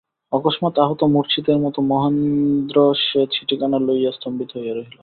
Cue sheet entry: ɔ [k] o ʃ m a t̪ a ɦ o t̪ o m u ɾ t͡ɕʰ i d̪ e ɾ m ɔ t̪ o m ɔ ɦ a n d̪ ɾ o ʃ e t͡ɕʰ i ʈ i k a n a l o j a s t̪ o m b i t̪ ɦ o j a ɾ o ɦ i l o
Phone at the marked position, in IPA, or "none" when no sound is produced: k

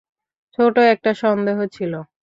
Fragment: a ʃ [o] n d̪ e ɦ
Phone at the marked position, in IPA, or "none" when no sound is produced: ɔ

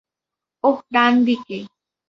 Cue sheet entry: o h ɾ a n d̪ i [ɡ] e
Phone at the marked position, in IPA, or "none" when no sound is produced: k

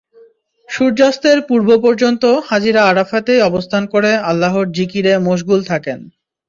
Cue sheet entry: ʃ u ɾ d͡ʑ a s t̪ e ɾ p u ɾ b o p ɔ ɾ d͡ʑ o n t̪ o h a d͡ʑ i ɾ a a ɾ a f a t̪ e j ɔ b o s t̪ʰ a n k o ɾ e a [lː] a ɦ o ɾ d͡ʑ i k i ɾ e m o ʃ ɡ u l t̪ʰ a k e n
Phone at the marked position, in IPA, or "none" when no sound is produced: lː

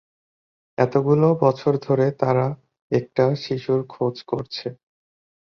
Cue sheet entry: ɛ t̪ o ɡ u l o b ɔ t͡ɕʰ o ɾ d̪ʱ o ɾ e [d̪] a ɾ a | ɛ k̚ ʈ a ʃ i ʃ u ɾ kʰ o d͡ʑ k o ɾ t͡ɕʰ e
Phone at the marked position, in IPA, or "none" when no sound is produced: t̪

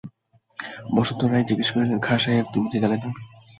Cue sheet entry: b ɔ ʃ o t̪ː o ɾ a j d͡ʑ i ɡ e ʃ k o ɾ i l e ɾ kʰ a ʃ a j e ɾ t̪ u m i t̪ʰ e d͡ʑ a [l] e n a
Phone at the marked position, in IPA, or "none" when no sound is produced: l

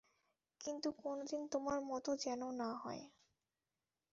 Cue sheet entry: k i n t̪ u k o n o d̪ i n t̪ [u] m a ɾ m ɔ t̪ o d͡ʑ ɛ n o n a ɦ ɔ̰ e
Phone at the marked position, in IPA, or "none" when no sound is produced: o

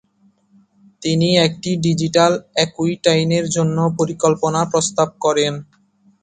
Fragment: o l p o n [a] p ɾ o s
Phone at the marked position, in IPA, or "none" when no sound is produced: a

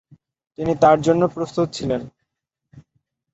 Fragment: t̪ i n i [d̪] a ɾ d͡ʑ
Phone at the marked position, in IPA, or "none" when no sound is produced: t̪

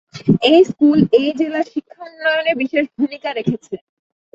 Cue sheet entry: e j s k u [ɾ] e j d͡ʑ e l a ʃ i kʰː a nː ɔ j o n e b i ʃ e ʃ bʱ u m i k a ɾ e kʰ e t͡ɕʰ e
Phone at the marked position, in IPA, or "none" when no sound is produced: l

